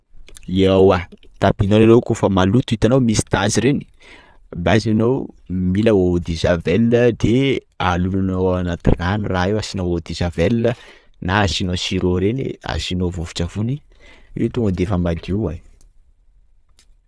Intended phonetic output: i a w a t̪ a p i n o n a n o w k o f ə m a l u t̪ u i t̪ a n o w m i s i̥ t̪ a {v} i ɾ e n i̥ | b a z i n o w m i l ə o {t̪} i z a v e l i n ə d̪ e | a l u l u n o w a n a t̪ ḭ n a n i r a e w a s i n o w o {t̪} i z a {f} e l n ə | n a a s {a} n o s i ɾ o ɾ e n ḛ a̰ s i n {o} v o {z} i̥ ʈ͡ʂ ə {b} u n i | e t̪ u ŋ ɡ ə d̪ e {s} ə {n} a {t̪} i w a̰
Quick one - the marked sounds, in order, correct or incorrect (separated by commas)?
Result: incorrect, incorrect, incorrect, incorrect, incorrect, correct, incorrect, incorrect, incorrect, incorrect, incorrect